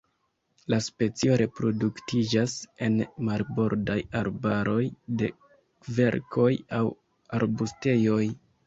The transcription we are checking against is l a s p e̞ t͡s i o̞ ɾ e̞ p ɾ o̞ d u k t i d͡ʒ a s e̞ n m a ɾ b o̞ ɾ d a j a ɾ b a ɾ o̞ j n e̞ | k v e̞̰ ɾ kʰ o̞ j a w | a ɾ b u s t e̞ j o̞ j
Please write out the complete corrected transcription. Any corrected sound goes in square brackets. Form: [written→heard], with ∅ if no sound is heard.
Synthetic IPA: l a s p e̞ t͡s i o̞ ɾ e̞ p ɾ o̞ d u k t i d͡ʒ a s e̞ n m a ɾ b o̞ ɾ d a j a ɾ b a ɾ o̞ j [n→d] e̞ | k v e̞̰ ɾ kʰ o̞ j a w | a ɾ b u s t e̞ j o̞ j